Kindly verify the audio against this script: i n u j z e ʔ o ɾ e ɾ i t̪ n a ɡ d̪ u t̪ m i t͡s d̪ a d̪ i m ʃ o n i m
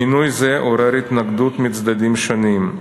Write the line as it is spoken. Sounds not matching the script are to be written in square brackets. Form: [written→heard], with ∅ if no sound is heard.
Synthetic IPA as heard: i n u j z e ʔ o ɾ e ɾ i t̪ n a ɡ d̪ u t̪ m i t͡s d̪ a d̪ i m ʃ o n i m